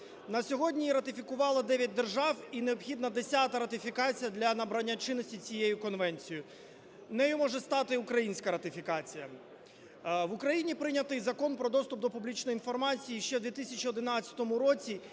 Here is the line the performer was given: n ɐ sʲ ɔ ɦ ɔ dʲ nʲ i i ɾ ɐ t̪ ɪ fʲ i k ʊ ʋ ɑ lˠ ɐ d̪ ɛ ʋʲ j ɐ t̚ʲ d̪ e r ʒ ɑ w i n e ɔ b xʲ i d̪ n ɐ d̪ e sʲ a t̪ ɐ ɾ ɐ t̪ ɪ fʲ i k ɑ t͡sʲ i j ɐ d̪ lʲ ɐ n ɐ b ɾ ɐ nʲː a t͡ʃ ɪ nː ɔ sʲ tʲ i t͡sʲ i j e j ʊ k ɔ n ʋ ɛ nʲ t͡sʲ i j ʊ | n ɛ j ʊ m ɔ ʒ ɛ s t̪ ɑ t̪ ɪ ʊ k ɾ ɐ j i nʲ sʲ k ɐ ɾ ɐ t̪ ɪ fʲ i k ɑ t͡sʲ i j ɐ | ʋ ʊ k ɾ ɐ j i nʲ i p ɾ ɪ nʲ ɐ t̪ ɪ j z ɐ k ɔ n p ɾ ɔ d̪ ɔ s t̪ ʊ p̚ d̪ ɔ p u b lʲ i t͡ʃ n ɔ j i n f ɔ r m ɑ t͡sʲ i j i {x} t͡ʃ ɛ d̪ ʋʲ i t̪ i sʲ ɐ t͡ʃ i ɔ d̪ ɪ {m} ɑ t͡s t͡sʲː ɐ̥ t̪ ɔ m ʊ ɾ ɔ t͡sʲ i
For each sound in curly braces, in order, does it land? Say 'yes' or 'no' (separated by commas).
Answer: no, no